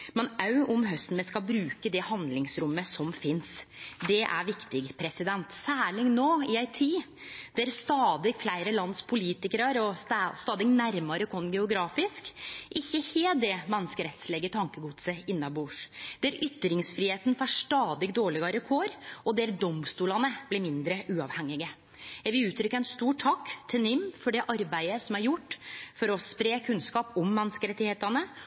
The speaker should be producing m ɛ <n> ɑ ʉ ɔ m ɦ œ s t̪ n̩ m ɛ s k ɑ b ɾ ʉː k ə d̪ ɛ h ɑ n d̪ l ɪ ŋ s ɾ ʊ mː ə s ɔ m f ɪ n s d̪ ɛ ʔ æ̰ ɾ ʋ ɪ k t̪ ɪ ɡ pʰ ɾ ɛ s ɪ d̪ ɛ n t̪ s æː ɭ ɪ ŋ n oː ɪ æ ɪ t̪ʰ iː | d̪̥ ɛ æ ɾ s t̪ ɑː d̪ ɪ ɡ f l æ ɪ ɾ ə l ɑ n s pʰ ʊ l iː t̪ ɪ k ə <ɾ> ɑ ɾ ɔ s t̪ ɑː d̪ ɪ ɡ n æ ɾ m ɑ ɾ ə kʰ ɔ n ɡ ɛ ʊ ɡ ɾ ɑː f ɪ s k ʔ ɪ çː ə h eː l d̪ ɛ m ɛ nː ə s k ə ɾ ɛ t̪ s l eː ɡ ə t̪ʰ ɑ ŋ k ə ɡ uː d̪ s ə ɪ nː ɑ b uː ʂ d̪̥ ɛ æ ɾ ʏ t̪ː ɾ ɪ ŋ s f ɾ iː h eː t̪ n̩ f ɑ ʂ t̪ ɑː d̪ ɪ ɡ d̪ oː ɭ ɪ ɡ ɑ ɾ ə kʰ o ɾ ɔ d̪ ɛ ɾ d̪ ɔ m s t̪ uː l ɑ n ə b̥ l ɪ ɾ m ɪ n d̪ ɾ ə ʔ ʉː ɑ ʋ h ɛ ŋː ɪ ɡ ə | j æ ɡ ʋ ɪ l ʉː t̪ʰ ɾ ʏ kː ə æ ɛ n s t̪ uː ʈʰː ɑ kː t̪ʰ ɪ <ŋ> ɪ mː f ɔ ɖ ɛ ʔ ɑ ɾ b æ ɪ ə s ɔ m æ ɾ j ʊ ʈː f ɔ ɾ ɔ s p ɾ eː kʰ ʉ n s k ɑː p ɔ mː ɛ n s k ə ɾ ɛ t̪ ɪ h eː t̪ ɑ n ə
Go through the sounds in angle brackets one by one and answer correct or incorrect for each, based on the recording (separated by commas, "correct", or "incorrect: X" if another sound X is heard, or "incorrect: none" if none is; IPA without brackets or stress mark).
correct, correct, incorrect: n